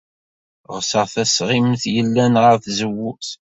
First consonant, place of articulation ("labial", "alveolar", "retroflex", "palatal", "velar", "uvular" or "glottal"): uvular